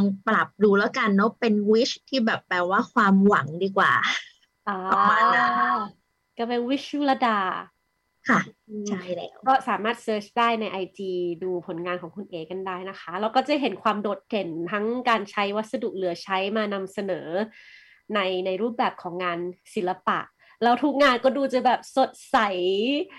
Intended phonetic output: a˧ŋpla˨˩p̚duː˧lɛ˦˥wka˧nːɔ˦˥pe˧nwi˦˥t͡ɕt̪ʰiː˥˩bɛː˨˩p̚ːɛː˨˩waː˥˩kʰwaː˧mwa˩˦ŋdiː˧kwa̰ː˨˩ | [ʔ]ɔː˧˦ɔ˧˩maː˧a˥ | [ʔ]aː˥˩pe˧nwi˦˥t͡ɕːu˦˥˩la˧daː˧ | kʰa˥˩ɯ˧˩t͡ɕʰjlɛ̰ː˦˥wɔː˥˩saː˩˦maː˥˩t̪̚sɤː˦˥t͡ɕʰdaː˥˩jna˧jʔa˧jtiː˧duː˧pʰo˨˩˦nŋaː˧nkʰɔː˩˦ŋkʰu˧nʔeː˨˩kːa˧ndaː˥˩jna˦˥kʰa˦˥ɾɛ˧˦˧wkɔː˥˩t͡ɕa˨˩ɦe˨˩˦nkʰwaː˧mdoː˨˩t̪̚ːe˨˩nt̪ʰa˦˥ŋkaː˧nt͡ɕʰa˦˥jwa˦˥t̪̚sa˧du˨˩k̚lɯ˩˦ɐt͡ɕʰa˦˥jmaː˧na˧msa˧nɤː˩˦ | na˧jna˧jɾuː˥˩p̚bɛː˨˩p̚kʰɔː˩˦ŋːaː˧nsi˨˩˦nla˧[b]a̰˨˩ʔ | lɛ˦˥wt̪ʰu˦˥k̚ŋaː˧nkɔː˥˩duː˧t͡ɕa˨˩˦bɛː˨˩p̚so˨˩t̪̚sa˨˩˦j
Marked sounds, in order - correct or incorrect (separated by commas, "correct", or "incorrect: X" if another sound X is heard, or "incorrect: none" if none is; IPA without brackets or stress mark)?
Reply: correct, incorrect: k, incorrect: p